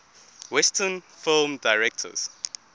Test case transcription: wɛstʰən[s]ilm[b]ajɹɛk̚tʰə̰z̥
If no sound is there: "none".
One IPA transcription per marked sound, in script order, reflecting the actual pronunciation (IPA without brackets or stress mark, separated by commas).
f, d